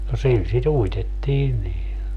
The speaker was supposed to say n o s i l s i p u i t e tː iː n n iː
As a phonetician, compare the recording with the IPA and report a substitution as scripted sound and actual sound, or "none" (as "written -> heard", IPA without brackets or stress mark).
p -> t